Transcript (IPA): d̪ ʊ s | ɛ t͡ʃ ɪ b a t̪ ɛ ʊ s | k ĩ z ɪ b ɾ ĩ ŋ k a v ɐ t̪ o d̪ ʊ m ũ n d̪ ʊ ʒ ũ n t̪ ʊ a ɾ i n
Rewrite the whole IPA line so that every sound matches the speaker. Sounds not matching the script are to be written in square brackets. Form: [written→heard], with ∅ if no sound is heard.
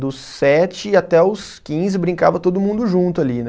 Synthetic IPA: d̪ ʊ s | ɛ t͡ʃ ɪ [b→∅] a t̪ ɛ ʊ s | k ĩ z ɪ b ɾ ĩ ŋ k a v ɐ t̪ o d̪ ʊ m ũ n d̪ ʊ ʒ ũ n t̪ ʊ a [ɾ→l] i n